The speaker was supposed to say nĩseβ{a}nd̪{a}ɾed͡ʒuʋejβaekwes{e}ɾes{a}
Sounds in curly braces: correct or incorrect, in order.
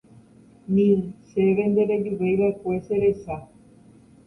incorrect: e, incorrect: e, correct, correct

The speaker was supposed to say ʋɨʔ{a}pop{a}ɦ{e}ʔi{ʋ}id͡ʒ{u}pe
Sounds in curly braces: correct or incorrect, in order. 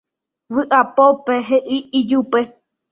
correct, incorrect: e, correct, incorrect: none, correct

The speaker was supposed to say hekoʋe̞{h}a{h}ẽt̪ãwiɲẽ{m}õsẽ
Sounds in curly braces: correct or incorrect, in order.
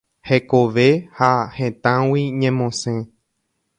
correct, correct, correct

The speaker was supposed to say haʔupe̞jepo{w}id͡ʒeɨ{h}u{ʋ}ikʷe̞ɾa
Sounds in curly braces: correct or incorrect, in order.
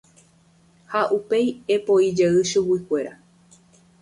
incorrect: none, incorrect: ʃ, incorrect: w

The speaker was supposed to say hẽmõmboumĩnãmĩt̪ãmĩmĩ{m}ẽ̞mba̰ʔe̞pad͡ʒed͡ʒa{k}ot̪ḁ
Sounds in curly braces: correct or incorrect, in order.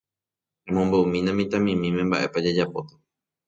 correct, incorrect: p

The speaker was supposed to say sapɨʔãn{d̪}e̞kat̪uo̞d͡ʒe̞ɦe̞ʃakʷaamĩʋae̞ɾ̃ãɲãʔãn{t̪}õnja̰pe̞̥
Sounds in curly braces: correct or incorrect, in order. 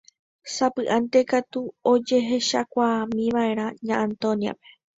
incorrect: t̪, correct

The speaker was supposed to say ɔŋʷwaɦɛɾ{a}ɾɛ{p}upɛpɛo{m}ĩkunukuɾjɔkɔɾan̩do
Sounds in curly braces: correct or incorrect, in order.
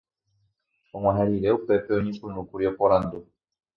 incorrect: i, incorrect: none, incorrect: ɲ

